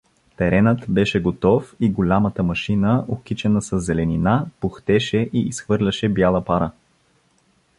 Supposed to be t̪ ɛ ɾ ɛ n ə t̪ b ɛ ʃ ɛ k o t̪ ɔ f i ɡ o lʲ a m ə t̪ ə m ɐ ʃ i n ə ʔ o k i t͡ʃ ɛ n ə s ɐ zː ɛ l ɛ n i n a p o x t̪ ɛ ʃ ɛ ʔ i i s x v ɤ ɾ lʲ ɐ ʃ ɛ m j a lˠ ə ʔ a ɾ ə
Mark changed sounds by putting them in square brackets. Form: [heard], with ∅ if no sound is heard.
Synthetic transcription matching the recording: t̪ ɛ ɾ ɛ n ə t̪ b ɛ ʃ ɛ [ɡ] o t̪ ɔ f i ɡ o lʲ a m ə t̪ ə m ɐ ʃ i n ə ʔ o k i t͡ʃ ɛ n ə s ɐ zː ɛ l ɛ n i n a p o x t̪ ɛ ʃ ɛ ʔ i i s x v ɤ ɾ lʲ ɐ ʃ ɛ [b] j a lˠ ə [p] a ɾ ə